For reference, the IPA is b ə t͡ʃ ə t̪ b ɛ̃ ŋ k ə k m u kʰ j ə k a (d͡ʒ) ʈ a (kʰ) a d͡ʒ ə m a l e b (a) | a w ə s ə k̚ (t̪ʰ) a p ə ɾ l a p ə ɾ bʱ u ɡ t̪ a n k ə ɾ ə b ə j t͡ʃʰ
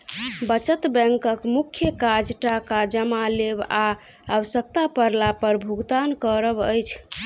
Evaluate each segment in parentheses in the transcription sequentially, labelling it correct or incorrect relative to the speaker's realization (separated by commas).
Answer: correct, incorrect, correct, incorrect